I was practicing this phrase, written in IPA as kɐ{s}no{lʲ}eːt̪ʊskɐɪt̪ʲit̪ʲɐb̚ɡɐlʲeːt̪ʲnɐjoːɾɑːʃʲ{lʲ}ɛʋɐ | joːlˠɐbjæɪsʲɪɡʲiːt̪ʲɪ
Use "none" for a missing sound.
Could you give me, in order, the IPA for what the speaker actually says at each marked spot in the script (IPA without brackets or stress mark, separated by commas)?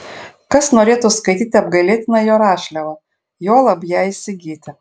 s, ɾʲ, lʲ